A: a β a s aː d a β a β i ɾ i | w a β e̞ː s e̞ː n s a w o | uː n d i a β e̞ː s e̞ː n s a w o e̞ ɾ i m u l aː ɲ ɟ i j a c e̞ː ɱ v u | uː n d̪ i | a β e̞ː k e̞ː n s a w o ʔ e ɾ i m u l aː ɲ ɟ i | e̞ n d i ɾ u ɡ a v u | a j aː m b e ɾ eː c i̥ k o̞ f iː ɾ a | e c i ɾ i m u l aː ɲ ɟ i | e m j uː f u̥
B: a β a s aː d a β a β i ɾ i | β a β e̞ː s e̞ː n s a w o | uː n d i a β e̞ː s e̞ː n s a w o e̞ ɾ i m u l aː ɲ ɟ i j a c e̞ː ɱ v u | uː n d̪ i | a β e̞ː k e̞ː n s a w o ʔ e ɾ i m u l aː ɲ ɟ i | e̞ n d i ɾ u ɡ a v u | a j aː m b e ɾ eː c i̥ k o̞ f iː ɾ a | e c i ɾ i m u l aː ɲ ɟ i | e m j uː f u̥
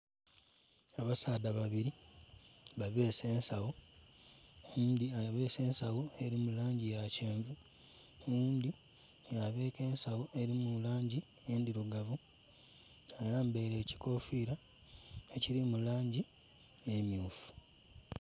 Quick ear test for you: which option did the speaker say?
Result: B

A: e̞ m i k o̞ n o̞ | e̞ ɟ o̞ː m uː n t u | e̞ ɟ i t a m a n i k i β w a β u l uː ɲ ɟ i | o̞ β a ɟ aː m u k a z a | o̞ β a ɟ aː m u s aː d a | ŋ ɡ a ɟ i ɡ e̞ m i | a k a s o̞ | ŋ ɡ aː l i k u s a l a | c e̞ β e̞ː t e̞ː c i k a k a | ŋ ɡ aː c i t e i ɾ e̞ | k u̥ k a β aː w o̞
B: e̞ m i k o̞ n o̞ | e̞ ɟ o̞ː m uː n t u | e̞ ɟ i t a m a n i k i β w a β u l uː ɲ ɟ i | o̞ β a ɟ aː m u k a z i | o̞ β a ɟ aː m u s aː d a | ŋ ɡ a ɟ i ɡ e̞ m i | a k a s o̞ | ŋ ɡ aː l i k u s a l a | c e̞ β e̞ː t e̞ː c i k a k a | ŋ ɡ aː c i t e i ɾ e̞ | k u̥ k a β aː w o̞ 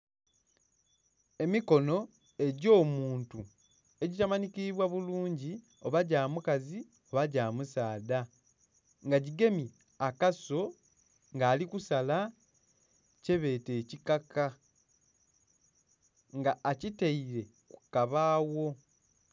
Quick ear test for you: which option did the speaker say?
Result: B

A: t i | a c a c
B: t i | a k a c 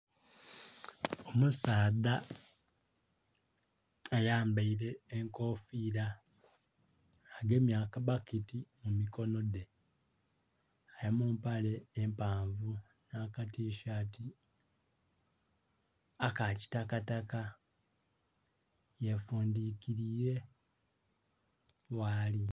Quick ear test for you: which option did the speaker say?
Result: B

